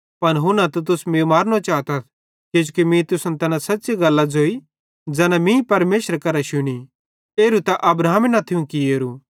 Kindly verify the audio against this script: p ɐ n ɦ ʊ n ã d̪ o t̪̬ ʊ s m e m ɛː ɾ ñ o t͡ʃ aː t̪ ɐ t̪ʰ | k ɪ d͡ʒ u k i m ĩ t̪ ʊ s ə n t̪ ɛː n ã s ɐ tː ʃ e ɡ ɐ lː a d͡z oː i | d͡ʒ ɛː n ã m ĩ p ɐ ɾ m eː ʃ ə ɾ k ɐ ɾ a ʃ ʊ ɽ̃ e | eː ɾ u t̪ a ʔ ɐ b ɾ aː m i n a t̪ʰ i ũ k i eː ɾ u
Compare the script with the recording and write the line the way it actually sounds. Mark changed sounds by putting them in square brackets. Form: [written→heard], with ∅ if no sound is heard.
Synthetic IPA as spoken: p ɐ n ɦ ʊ n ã [d̪→t̪] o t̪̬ ʊ s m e m [ɛː→aː] ɾ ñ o t͡ʃ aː t̪ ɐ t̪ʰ | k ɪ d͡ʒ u k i m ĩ t̪ ʊ s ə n t̪ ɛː n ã s ɐ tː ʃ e ɡ ɐ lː a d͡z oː i | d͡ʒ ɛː n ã m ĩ p ɐ ɾ m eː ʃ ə ɾ k ɐ ɾ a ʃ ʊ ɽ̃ [e→i] | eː ɾ u t̪ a ʔ ɐ b ɾ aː m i n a t̪ʰ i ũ k i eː ɾ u

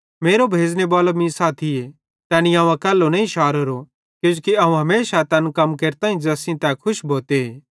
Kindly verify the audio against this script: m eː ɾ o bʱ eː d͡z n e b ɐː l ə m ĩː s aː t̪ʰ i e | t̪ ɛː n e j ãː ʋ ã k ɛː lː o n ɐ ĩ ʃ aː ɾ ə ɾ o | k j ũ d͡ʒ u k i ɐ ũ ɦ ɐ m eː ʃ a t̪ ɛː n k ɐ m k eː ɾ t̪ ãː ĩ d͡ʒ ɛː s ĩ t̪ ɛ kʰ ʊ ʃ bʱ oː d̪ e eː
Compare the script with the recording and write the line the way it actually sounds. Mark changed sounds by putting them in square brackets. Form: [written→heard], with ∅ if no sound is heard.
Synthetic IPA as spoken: m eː ɾ o bʱ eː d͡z n e b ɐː l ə m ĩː s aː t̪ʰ i e | t̪ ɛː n [e→i] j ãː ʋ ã k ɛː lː o n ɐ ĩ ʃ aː ɾ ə ɾ o | k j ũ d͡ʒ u k i ɐ ũ ɦ ɐ m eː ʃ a t̪ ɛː n k ɐ m k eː ɾ t̪ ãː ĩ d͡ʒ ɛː s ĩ t̪ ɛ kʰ ʊ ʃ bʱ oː [d̪→t̪] e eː

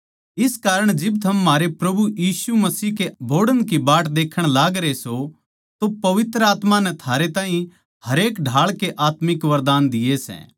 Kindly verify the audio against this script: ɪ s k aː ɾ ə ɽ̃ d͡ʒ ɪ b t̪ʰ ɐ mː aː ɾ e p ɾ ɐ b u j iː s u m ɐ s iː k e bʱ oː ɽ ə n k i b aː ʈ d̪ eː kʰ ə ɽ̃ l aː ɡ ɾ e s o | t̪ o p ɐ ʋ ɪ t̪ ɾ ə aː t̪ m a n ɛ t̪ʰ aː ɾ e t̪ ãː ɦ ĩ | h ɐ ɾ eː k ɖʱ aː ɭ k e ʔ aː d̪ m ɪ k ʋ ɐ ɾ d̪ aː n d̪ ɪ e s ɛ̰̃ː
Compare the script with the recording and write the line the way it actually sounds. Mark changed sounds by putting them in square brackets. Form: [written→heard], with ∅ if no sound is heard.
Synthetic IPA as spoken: ɪ s k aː ɾ ə ɽ̃ d͡ʒ ɪ b t̪ʰ ɐ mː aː ɾ e p ɾ ɐ b u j iː s u m ɐ s iː k e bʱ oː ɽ ə n k i b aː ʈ d̪ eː kʰ ə ɽ̃ l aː ɡ ɾ e s o | t̪ o p ɐ ʋ ɪ t̪ ɾ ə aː t̪ m a n ɛ t̪ʰ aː ɾ e t̪ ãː ɦ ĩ | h ɐ ɾ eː k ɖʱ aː ɭ k e ʔ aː [d̪→t̪] m ɪ k ʋ ɐ ɾ d̪ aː n d̪ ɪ e s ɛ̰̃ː

